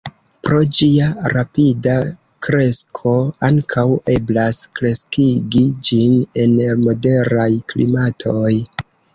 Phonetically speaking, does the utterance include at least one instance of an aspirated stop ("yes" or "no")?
yes